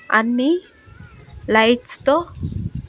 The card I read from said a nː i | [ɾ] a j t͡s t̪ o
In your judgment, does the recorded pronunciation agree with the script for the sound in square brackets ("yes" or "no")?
no